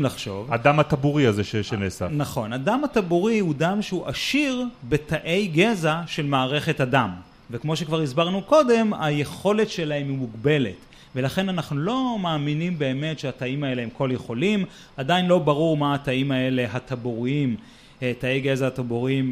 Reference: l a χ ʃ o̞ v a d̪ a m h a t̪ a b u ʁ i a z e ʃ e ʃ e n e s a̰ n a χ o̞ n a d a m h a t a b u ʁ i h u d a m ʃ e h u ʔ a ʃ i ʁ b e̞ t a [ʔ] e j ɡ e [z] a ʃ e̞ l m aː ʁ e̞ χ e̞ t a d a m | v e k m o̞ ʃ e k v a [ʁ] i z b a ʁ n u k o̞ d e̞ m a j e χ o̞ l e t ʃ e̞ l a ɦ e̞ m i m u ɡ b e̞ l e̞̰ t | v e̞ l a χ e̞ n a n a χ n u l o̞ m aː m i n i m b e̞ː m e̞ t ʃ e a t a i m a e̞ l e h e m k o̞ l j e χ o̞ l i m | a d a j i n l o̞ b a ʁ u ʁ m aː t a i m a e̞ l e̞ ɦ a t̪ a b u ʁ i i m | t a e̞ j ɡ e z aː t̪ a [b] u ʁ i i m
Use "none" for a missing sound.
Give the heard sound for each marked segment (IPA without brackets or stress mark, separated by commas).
ʔ, z, ʁ, b